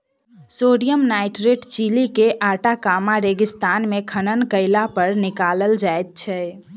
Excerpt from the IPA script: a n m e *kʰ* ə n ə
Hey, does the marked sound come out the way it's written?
yes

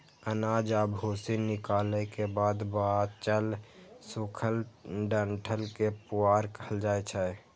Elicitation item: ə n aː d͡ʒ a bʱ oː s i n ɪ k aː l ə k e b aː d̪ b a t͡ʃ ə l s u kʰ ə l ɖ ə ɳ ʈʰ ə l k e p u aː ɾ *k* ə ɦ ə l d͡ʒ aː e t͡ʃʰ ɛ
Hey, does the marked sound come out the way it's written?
yes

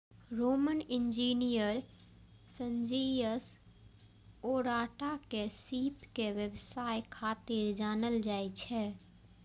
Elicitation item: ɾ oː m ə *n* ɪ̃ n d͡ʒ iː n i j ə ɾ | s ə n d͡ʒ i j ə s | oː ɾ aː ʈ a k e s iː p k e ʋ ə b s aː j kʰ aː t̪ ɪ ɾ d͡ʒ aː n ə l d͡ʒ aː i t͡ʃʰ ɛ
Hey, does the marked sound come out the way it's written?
yes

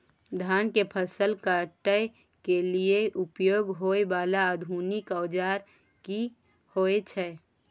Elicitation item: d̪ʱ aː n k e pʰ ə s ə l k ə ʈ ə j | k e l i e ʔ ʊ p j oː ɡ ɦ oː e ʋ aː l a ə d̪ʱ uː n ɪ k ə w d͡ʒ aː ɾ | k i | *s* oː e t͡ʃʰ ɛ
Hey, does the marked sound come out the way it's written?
no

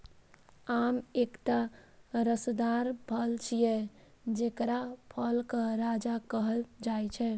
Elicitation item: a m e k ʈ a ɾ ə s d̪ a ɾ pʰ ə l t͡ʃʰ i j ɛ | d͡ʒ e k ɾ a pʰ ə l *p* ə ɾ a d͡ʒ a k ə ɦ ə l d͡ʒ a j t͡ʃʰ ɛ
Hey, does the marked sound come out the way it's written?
no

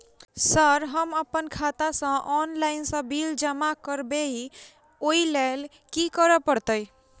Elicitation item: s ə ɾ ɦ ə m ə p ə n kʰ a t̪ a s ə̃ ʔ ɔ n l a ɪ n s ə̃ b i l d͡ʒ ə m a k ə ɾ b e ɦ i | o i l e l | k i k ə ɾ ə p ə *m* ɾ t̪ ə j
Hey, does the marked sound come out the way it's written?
no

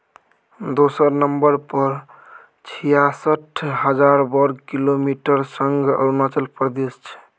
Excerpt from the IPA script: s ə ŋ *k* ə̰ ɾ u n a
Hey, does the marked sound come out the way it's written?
no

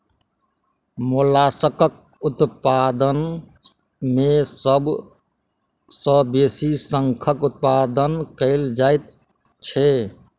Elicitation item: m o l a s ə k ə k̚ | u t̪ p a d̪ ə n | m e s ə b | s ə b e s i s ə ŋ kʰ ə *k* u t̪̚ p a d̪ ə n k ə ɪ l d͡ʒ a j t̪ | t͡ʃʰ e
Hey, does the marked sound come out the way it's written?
yes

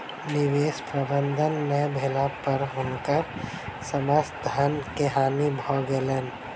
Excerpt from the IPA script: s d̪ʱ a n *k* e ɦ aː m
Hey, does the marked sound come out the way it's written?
yes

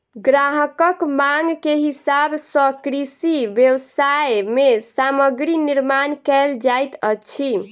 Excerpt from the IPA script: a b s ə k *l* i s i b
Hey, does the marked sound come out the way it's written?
no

